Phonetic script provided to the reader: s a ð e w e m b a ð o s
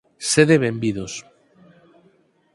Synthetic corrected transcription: s e ð e β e m b i ð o s